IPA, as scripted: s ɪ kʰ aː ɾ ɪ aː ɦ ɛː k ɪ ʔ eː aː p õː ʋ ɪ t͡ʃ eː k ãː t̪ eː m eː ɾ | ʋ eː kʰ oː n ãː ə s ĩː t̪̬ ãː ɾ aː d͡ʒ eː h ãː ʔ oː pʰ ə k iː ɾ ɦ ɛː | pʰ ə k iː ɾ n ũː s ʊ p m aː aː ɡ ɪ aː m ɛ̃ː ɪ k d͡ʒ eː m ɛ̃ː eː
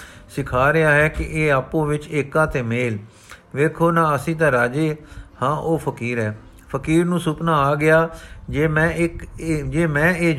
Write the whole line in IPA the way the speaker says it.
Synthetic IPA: s ɪ kʰ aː ɾ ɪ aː ɦ ɛː k ɪ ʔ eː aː p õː ʋ ɪ t͡ʃ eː k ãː t̪ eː m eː l | ʋ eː kʰ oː n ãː ə s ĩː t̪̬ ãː ɾ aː d͡ʒ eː h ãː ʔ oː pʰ ə k iː ɾ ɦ ɛː | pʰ ə k iː ɾ n ũː s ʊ p n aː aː ɡ ɪ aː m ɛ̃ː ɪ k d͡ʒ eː m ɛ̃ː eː